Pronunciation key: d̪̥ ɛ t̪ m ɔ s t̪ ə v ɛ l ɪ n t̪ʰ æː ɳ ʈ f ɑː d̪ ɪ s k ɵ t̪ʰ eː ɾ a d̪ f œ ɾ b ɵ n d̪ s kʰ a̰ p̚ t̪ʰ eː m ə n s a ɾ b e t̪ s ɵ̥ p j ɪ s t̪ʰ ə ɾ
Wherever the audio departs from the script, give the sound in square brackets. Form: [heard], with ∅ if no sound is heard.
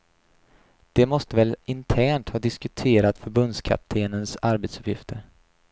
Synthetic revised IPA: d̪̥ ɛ [∅] m ɔ s t̪ ə v ɛ l ɪ n t̪ʰ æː ɳ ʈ [h] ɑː d̪ ɪ s k ɵ t̪ʰ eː ɾ a [t̪] f œ ɾ b ɵ n d̪ s kʰ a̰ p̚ t̪ʰ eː [n] ə n s a ɾ b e t̪ s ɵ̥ p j ɪ [f] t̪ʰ ə ɾ